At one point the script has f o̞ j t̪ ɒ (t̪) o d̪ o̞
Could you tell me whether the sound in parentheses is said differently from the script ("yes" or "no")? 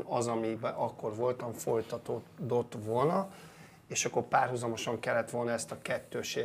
no